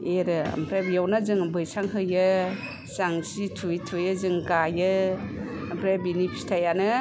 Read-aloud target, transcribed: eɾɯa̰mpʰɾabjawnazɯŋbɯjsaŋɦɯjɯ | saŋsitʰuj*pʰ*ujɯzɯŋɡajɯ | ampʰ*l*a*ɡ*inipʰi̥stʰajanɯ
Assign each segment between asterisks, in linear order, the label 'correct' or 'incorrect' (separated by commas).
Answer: incorrect, incorrect, incorrect